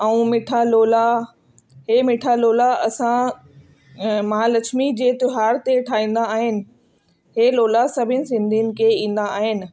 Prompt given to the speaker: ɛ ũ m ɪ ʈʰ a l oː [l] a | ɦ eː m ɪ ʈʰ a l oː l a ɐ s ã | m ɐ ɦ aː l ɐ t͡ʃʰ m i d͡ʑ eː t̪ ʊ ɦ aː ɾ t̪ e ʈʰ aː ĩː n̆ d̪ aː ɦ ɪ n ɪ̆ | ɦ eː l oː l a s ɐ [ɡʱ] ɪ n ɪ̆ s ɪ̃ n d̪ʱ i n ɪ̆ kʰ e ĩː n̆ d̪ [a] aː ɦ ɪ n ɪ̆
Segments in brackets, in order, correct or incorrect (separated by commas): correct, incorrect, correct